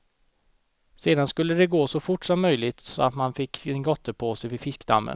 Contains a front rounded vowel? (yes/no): yes